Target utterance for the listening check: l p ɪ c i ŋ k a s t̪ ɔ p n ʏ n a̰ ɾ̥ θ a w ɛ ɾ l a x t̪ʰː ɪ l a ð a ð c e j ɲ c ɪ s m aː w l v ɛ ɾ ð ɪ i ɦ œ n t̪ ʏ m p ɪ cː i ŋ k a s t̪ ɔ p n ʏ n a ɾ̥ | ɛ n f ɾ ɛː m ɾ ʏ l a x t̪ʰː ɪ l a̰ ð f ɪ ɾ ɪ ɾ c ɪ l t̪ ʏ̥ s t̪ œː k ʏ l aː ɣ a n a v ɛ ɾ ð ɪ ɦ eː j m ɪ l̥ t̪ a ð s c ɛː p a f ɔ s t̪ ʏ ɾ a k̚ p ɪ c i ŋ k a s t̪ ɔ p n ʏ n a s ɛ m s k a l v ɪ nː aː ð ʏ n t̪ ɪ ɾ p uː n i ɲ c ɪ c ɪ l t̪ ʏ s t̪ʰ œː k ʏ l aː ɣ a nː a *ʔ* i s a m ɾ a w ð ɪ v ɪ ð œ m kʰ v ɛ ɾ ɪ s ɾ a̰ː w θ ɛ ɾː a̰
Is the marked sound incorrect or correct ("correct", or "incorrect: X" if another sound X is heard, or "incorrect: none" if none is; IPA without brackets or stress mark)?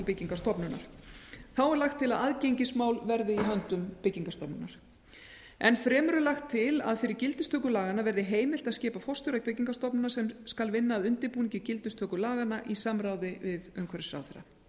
correct